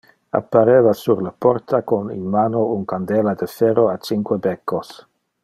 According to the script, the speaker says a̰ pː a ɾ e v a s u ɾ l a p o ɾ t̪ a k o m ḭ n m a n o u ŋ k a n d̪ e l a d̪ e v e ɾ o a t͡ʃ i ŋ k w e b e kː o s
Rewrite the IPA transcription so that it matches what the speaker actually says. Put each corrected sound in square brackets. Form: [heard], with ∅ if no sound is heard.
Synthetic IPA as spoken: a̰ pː a ɾ e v a s u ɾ l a p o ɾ t̪ a k o [n] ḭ n m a n o u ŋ k a n d̪ e l a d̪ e [f] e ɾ o a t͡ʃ i ŋ k w e b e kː o s